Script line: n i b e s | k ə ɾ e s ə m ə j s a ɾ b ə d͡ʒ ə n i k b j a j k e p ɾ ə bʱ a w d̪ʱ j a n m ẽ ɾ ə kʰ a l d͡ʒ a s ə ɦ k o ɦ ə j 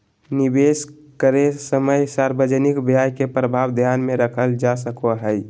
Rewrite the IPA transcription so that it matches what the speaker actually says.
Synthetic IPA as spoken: n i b e s | k ə ɾ e s ə m ə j s a ɾ b ə d͡ʒ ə n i k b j a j k e p ɾ ə bʱ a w d̪ʱ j a n m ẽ ɾ ə kʰ ə l d͡ʒ a s ə k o ɦ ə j